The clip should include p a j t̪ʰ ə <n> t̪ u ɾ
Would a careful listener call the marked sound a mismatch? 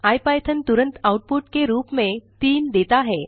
no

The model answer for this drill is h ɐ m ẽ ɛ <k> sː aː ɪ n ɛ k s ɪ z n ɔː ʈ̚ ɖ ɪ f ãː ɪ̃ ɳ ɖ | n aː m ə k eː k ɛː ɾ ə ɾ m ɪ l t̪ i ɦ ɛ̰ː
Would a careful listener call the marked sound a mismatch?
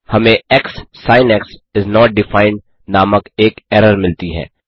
no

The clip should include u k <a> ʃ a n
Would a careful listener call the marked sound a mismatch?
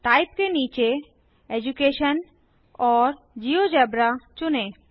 yes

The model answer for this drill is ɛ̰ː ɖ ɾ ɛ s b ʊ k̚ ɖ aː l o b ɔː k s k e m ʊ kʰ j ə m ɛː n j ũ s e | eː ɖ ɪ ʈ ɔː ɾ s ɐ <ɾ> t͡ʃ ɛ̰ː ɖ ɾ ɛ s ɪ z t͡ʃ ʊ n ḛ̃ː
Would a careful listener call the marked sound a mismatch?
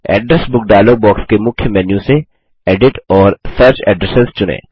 no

